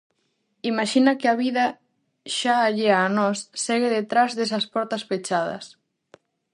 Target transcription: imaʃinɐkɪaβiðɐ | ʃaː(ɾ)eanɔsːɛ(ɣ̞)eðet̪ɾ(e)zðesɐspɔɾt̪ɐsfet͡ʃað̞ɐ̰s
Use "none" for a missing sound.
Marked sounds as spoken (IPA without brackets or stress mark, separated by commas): ʎ, ɣ̞, a